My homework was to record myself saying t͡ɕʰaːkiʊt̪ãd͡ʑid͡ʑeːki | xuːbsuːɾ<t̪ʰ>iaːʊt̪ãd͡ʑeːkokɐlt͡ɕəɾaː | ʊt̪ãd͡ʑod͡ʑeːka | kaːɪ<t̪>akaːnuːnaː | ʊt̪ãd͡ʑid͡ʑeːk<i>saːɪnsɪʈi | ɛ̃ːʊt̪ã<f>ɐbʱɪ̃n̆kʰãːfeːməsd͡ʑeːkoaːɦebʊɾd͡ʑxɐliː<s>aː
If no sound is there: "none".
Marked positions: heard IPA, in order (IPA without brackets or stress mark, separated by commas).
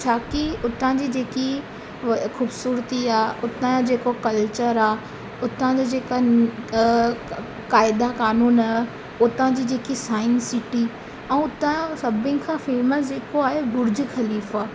t̪, d̪, i, s, f